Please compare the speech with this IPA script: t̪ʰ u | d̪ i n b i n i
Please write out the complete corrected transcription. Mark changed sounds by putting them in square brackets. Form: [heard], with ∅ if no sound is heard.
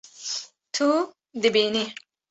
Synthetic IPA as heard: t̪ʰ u | d̪ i [∅] b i n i

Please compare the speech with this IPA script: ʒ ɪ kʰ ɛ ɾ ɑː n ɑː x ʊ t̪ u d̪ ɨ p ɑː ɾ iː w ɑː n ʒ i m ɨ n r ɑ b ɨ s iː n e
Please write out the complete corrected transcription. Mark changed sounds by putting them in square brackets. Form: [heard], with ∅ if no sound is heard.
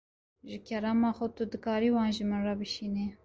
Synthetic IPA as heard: ʒ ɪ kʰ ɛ ɾ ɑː [m] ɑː x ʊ t̪ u d̪ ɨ [k] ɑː ɾ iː w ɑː n ʒ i m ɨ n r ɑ b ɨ [ʃ] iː n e

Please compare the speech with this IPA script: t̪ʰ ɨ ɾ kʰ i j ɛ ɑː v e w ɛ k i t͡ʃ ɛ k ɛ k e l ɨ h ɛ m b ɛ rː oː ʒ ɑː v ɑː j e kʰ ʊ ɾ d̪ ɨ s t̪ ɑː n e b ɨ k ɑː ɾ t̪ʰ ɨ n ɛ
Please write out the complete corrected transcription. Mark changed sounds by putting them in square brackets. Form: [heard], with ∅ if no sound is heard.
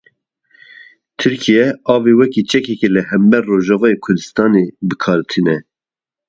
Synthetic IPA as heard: t̪ʰ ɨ ɾ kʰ i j ɛ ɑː v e w ɛ k i t͡ʃ ɛ k ɛ k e l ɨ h ɛ m b ɛ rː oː ʒ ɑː v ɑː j e kʰ ʊ ɾ d̪ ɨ s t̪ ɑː n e b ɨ [kʰ] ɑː ɾ t̪ʰ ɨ n ɛ

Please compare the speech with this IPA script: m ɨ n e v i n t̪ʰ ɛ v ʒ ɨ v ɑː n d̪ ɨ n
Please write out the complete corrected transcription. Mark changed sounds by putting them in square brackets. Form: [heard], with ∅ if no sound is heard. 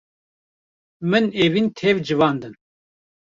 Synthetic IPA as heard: m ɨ n e v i n t̪ʰ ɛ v [d͡ʒ] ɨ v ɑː n d̪ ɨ n

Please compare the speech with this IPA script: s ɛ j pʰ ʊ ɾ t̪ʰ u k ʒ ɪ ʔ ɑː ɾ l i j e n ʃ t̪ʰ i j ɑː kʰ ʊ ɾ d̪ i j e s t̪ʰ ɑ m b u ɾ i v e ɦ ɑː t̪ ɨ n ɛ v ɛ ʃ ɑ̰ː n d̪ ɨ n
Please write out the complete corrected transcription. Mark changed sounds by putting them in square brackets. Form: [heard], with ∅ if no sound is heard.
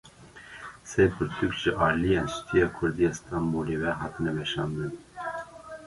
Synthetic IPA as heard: s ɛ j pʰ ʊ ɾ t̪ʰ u k ʒ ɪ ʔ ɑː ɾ l i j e n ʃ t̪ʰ i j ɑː kʰ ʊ ɾ d̪ i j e s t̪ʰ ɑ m b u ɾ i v [ɛ] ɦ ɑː t̪ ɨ n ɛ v ɛ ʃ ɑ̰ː n d̪ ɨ n

